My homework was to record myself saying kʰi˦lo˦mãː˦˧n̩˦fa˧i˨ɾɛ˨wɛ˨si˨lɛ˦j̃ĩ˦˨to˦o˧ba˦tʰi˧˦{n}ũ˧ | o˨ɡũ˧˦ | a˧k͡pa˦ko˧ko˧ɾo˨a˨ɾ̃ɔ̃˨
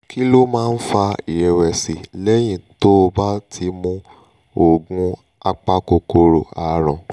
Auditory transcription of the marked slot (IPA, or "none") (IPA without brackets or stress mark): m